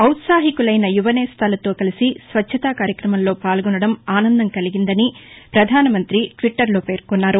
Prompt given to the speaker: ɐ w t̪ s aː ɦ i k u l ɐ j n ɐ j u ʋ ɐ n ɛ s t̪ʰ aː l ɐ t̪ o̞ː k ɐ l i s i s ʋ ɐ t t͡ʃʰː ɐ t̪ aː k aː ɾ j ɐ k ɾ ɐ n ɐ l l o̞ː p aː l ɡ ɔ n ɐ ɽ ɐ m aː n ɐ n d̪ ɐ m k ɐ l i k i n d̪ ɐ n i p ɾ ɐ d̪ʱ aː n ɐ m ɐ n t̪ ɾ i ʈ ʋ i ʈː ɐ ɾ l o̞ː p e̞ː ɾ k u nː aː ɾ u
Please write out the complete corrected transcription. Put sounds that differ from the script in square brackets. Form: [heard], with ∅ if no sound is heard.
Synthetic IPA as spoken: ɐ w t̪ s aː ɦ i k u l ɐ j n ɐ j u ʋ ɐ n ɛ s t̪ʰ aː l ɐ t̪ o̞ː k ɐ l i s i s ʋ ɐ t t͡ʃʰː ɐ t̪ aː k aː ɾ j ɐ k ɾ ɐ [m] ɐ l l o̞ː p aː l ɡ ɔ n ɐ ɽ ɐ m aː n ɐ n d̪ ɐ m k ɐ l i [ɡ] i n d̪ ɐ n i p ɾ ɐ d̪ʱ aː n ɐ m ɐ n t̪ ɾ i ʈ ʋ i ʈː ɐ ɾ l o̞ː p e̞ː ɾ k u nː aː ɾ u